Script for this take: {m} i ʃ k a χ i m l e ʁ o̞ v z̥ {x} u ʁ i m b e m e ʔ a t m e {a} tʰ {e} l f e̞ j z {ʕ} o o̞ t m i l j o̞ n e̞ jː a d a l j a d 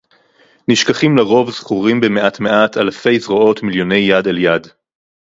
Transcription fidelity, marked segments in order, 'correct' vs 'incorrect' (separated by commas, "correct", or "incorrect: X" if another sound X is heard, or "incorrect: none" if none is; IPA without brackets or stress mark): incorrect: n, incorrect: χ, correct, incorrect: a, incorrect: ʁ